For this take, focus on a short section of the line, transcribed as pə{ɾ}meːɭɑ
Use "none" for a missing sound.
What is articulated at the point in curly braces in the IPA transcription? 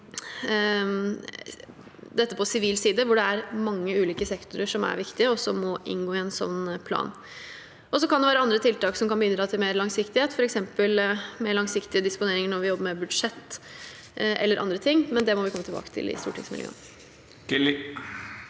l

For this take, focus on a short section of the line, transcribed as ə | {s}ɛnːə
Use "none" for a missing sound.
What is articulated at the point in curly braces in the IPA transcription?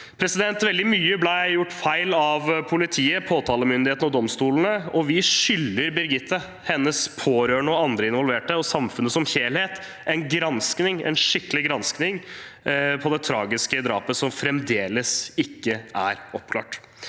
h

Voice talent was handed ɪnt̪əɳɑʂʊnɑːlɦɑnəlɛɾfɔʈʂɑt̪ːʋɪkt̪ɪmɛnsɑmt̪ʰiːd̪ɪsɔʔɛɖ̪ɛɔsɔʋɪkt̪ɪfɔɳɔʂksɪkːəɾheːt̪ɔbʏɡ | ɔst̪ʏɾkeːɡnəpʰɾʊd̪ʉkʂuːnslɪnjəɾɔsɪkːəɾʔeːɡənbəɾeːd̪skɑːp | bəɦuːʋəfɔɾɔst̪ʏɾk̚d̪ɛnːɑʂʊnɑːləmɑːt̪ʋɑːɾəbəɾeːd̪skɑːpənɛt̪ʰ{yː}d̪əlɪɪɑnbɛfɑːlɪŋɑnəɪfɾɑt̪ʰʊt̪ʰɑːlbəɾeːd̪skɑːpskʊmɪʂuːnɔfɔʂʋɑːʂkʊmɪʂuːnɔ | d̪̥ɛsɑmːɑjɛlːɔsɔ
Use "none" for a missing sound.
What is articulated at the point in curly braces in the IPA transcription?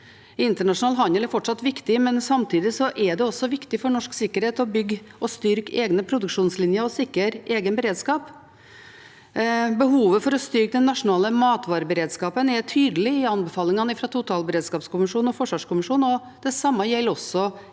yː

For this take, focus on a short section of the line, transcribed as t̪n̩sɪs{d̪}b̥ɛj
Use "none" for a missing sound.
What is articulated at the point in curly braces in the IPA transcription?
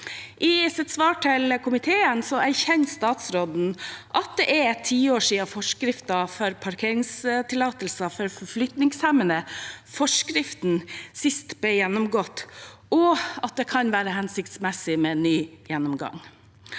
t̪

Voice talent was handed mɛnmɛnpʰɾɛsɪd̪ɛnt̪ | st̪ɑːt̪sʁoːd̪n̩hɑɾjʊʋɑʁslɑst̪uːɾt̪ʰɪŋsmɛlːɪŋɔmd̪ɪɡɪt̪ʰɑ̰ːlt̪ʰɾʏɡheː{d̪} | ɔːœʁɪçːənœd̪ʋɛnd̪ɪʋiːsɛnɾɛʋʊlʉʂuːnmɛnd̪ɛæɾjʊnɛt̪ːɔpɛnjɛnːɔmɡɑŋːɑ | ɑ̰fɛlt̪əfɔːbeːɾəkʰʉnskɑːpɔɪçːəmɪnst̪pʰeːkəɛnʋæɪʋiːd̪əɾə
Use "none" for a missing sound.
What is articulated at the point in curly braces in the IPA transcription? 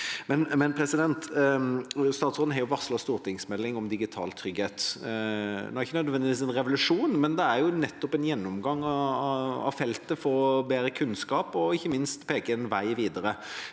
t̪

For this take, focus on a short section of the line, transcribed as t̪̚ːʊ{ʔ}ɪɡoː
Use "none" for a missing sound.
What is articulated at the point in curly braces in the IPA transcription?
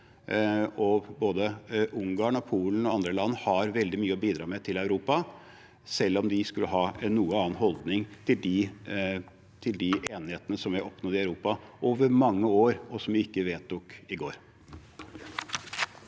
k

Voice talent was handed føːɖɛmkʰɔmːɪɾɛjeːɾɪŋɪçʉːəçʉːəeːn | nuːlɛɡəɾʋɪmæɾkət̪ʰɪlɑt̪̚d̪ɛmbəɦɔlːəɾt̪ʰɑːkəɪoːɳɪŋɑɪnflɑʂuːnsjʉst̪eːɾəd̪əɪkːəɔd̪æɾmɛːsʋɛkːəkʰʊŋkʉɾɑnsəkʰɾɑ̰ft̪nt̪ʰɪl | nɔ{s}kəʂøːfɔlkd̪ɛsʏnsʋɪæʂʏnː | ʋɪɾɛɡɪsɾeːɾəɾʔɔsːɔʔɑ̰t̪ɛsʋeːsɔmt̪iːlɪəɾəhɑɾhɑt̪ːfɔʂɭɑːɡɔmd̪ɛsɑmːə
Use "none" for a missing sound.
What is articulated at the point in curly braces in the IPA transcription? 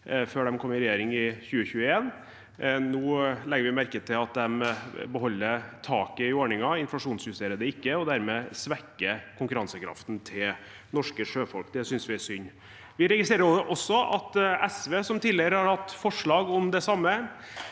ʂ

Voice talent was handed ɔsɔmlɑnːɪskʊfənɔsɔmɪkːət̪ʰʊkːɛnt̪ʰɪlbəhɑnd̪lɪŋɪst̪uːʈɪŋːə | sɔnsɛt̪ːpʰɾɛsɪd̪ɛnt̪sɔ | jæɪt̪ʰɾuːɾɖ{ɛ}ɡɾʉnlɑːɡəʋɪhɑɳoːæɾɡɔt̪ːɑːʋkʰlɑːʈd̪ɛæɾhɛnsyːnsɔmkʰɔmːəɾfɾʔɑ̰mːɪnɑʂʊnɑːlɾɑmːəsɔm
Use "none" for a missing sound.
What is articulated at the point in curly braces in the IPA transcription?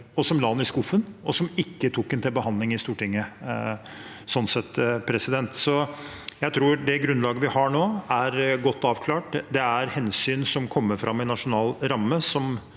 ɛ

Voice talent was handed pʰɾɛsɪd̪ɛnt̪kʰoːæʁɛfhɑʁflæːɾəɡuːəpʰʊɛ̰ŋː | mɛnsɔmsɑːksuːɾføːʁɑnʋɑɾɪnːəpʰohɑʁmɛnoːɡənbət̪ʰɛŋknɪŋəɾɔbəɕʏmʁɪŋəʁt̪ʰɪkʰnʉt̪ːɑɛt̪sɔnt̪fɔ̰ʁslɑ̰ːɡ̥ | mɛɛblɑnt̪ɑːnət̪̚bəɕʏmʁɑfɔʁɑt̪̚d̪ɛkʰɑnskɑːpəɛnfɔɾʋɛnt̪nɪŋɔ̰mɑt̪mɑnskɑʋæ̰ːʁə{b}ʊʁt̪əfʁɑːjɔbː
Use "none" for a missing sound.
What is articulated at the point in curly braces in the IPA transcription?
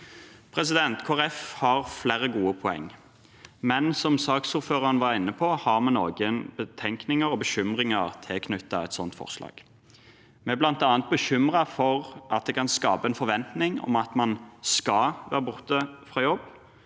b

